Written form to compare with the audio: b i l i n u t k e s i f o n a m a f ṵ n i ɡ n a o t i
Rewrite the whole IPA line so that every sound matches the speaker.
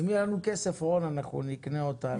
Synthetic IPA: m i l a n u k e s e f o n a n a χ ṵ n i k n e o t a